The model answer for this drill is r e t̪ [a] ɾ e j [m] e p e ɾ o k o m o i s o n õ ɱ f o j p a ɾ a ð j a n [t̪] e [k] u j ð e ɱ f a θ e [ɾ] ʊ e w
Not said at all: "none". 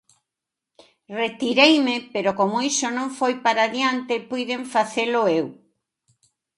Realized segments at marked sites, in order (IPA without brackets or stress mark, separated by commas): i, m, t̪, p, l